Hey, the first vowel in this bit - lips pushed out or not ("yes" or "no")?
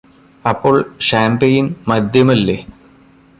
no